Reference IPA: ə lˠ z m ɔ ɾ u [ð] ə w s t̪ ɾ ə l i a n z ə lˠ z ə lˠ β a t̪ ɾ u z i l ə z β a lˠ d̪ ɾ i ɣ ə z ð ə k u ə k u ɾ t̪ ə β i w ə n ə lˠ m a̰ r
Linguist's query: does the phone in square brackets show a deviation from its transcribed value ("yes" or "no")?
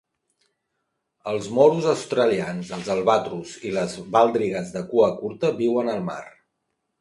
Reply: yes